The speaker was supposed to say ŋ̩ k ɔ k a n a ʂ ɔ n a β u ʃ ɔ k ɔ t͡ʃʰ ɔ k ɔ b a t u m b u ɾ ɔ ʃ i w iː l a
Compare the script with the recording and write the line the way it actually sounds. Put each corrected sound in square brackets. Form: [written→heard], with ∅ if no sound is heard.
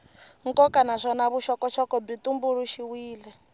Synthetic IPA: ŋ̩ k ɔ k a n a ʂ ɔ n a β u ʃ ɔ k ɔ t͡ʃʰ ɔ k ɔ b [a→i] t u m b u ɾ [ɔ→u] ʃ i w iː l [a→ɛ]